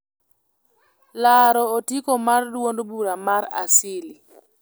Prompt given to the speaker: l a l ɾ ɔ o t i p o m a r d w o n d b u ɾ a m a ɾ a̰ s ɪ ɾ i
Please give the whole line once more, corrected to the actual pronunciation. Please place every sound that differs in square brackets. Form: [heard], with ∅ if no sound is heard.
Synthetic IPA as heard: l a [∅] ɾ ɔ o t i [k] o m a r d w o n d b u ɾ a m a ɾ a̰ s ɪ [l] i